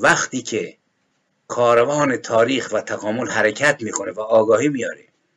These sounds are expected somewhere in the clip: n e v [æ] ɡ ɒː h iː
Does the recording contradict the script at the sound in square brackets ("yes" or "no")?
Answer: yes